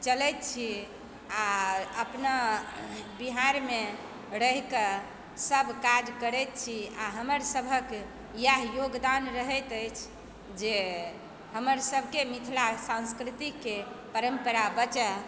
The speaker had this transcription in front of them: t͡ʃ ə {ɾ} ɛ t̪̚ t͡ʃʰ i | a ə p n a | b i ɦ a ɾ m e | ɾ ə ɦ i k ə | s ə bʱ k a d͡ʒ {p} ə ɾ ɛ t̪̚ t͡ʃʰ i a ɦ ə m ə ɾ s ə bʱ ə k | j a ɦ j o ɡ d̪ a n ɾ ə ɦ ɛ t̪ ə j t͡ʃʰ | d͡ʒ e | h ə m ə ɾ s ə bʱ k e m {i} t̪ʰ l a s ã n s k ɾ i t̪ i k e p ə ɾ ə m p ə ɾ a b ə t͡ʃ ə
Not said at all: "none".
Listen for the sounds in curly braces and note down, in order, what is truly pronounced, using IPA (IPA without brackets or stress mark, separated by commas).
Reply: l, k, i